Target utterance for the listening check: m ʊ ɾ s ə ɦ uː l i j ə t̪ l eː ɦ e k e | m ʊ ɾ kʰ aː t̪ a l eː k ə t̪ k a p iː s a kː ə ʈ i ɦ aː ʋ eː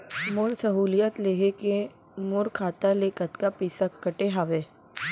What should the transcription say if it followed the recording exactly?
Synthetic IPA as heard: m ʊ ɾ s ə ɦ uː l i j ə t̪ l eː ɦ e k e | m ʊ ɾ kʰ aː t̪ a l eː k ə t̪ k a p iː s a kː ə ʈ e ɦ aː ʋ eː